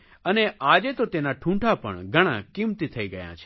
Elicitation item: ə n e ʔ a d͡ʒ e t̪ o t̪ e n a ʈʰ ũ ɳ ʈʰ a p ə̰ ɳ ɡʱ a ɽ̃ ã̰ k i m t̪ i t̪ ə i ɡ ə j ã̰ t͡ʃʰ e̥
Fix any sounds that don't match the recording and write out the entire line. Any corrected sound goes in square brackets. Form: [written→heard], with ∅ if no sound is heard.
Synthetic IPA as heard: ə n e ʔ a d͡ʒ e t̪ o t̪ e n a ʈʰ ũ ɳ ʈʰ a p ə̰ ɳ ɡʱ [a→ə] ɽ̃ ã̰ k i m t̪ i [t̪→t̪ʰ] ə i ɡ ə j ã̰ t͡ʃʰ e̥

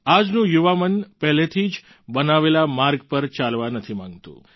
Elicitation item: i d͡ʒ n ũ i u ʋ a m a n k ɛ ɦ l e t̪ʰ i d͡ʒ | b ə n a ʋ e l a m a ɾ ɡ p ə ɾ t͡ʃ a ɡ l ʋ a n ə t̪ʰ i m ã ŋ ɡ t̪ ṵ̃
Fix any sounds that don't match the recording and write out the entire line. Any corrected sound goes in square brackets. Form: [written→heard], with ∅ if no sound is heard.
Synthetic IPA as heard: [i→a] d͡ʒ n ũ [i→j] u ʋ a m [a→ə] n [k→p] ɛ ɦ l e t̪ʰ i d͡ʒ | b ə n a ʋ e l a m a ɾ ɡ p ə ɾ t͡ʃ a [ɡ→∅] l ʋ a n ə t̪ʰ i m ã ŋ ɡ t̪ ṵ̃

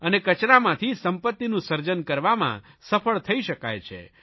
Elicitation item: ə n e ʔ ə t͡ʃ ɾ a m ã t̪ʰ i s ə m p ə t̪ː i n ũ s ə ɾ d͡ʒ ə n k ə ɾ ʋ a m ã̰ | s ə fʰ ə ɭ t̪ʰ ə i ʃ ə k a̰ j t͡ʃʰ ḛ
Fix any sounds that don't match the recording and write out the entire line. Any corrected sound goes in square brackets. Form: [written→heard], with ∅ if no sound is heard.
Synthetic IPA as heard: ə n e [ʔ→k] ə t͡ʃ ɾ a m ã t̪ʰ i s ə m p ə t̪ː i n ũ s ə ɾ d͡ʒ ə n k ə ɾ ʋ a m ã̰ | s ə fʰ ə ɭ t̪ʰ ə i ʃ ə k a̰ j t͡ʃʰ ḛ

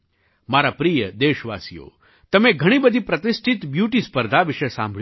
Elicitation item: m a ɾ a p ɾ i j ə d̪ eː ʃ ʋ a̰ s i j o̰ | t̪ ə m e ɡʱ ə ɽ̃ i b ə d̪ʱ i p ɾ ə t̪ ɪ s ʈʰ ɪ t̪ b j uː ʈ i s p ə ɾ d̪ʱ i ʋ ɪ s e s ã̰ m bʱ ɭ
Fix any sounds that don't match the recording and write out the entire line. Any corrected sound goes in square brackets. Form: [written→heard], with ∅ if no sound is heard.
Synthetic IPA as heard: m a ɾ a p ɾ i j ə d̪ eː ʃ ʋ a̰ s i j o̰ | t̪ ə m e ɡʱ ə ɽ̃ i b ə d̪ʱ i p ɾ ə t̪ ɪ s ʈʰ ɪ t̪ b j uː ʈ i s p ə ɾ d̪ʱ [i→a] ʋ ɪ [s→ʃ] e s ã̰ m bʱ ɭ

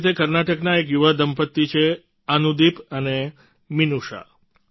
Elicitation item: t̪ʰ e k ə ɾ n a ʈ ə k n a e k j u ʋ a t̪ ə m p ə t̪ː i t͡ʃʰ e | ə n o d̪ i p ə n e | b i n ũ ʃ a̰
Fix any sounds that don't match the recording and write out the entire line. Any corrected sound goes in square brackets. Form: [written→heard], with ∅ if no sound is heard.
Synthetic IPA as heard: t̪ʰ e k ə ɾ n a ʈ ə k n a e k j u ʋ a [t̪→d̪] ə m p ə t̪ː i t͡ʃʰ e | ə n [o→u] d̪ i p ə n e | [b→m] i n [ũ→u] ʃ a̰

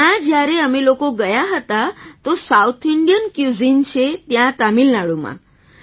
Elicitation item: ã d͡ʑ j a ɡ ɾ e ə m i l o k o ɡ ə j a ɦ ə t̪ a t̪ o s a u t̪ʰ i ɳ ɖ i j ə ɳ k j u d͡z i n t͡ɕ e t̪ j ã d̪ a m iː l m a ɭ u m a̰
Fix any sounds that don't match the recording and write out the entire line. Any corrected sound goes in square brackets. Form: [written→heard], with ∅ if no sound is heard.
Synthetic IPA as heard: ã d͡ʑ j a [ɡ→∅] ɾ e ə m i l o k o ɡ ə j a ɦ ə t̪ a t̪ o s a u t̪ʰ i ɳ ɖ i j ə [ɳ→n] k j u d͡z i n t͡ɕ e t̪ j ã [d̪→t̪] a m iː l [m→n] a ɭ u m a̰

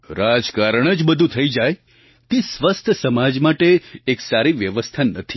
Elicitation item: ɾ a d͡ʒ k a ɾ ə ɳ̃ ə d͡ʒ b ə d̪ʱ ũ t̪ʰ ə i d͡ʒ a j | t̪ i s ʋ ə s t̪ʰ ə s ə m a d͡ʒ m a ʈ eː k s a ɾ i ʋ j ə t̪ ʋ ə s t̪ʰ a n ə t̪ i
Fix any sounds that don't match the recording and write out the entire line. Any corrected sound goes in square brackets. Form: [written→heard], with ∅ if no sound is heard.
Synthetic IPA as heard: ɾ a d͡ʒ k a ɾ ə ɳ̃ ə d͡ʒ b ə d̪ʱ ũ t̪ʰ ə i d͡ʒ a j | t̪ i s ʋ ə s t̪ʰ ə s ə m a d͡ʒ m a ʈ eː k s a ɾ i ʋ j ə [t̪→∅] ʋ ə s t̪ʰ a n ə [t̪→t̪ʰ] i

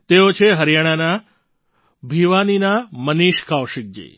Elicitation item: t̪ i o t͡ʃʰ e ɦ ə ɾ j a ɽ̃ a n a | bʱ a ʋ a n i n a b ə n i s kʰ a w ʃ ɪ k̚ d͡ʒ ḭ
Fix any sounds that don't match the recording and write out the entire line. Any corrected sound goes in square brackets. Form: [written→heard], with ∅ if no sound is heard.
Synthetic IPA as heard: t̪ [i→e] o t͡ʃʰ e ɦ ə ɾ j a ɽ̃ a n a | bʱ [a→i] ʋ a n i n a [b→m] ə n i [s→ʃ] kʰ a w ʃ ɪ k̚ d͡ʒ ḭ

